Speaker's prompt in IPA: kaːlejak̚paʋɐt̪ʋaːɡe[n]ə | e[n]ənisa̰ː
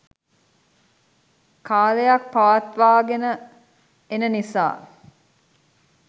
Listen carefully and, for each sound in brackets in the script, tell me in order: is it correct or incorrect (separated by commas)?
correct, correct